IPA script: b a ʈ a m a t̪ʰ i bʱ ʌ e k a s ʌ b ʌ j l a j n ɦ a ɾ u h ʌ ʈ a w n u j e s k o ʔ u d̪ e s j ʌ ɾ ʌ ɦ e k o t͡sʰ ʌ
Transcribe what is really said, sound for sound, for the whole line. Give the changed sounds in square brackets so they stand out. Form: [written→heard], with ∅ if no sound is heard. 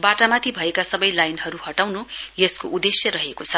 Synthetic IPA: b a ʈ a m a t̪ʰ i bʱ ʌ e k a s ʌ b ʌ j l a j n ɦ [a→ʌ] ɾ u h ʌ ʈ a w n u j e s k o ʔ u d̪ e s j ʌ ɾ ʌ ɦ e k o t͡sʰ ʌ

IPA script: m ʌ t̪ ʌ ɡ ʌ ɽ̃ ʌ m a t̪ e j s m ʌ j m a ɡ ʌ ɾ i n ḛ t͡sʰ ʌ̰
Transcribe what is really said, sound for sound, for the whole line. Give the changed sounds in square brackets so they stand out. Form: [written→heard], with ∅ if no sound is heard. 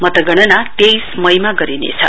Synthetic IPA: m ʌ t̪ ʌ ɡ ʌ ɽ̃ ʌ [m→n] a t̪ e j s m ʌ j m a ɡ ʌ ɾ i n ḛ t͡sʰ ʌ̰

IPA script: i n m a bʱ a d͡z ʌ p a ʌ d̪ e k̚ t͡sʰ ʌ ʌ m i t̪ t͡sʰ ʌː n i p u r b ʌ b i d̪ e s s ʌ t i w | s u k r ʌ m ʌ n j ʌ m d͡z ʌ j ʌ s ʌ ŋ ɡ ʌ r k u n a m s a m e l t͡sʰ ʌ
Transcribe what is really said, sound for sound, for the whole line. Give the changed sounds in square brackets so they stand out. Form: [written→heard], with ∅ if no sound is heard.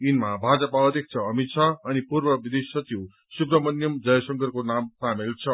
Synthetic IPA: i n m a bʱ a d͡z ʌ p a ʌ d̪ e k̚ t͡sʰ ʌ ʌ m i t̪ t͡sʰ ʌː n i p u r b ʌ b i d̪ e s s ʌ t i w | s u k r ʌ m ʌ n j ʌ m d͡z ʌ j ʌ s ʌ ŋ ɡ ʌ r k [u→o] n a m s a m e l t͡sʰ ʌ

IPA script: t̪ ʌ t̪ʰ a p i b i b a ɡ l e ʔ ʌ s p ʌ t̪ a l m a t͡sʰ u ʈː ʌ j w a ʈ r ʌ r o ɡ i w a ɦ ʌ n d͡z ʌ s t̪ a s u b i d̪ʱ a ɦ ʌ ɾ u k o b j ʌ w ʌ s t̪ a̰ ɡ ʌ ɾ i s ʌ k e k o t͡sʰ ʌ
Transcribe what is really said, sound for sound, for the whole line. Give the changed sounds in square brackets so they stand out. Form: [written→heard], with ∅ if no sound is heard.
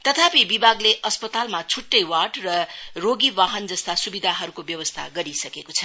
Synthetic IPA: t̪ ʌ t̪ʰ a p i b i b a ɡ l e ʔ ʌ s p ʌ t̪ a l m a t͡sʰ u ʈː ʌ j w a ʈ r ʌ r o ɡ i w a ɦ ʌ n d͡z ʌ s t̪ a s u b i d̪ʱ a ɦ ʌ ɾ u k o b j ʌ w ʌ s [t̪→t̪ʰ] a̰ ɡ ʌ ɾ i s ʌ k e k o t͡sʰ ʌ

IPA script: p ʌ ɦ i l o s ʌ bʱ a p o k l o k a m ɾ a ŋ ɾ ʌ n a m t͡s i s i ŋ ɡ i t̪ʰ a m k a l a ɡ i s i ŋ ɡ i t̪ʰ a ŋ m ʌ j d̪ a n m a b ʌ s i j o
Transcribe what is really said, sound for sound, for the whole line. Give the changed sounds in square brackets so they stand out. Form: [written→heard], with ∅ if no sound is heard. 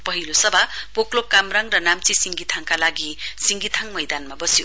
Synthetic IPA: p ʌ ɦ i l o s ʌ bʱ a p o k l o k a m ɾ a ŋ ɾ ʌ n a m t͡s i s i ŋ ɡ i t̪ʰ a [m→ŋ] k a l a ɡ i s i ŋ ɡ i t̪ʰ a ŋ m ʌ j d̪ a n m a b ʌ s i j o

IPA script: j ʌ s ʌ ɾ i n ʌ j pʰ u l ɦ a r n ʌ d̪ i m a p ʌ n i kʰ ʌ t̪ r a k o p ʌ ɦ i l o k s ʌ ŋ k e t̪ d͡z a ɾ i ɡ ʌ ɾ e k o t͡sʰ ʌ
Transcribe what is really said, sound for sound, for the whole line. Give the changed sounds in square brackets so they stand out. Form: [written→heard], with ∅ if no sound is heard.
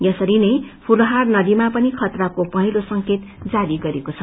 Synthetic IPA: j ʌ s ʌ ɾ i n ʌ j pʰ u l ɦ a r n ʌ d̪ i m a p ʌ n i kʰ ʌ t̪ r a k o p ʌ ɦ i l o [k→∅] s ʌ ŋ k e t̪ d͡z a ɾ i ɡ ʌ ɾ e k o t͡sʰ ʌ

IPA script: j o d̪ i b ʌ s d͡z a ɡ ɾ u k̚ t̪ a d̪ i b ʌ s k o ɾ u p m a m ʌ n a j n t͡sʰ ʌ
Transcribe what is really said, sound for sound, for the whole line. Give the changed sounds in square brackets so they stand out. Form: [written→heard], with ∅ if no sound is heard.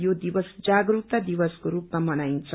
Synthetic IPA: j o d̪ i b ʌ s d͡z a ɡ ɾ u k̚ t̪ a d̪ i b ʌ s k o ɾ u p m a m ʌ n a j n t͡sʰ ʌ

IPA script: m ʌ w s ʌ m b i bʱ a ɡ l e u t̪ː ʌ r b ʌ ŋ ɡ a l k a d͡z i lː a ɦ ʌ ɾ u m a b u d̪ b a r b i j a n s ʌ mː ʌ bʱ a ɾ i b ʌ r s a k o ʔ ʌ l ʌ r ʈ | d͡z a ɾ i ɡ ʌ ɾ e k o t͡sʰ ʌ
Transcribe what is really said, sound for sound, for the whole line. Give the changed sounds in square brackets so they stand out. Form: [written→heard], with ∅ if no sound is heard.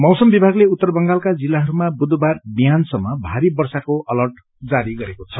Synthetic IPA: m ʌ w s ʌ m b i bʱ a ɡ l e u t̪ː ʌ r b ʌ ŋ ɡ a l k a d͡z i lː a ɦ ʌ ɾ u m a b u d̪ b a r b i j a n s ʌ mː ʌ bʱ a ɾ i b ʌ r s a k o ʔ ʌ l ʌ r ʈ | d͡z a ɾ i ɡ ʌ ɾ e k o t͡sʰ ʌ

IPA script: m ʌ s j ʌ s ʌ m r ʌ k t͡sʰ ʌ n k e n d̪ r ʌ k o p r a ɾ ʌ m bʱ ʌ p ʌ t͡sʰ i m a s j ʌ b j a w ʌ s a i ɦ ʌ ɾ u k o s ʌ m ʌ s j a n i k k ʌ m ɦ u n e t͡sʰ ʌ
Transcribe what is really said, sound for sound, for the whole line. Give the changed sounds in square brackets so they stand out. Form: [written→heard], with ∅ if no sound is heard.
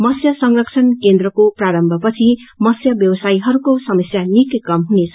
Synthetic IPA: m ʌ s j ʌ s ʌ [m→ŋ] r ʌ k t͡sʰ ʌ n k e n d̪ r ʌ k o p r a ɾ ʌ m bʱ ʌ p ʌ t͡sʰ i m [a→ʌ] s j ʌ b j [a→ʌ] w ʌ s a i ɦ ʌ ɾ u k o s ʌ m ʌ s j a n i k k ʌ m ɦ u n e t͡sʰ ʌ

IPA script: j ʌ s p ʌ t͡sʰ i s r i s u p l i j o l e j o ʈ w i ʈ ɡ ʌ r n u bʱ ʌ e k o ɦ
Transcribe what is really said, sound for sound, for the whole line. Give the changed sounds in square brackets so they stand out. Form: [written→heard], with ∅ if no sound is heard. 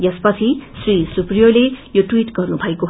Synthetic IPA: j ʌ s p ʌ t͡sʰ i s r i s u p [l→r] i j o l e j o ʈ w i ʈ ɡ ʌ r n u bʱ ʌ e k o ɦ

